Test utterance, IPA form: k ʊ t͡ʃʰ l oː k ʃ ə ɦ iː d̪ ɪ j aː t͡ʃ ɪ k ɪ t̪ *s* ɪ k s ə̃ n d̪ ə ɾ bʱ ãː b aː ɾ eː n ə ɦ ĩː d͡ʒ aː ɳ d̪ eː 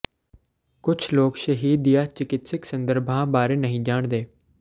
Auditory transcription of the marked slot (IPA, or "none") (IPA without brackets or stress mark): s